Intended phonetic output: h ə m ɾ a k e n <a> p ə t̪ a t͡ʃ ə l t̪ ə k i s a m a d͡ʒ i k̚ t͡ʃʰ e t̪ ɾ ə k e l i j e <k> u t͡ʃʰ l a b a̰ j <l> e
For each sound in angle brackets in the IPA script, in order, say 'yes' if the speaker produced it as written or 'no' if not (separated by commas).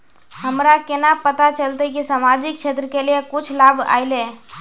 yes, yes, yes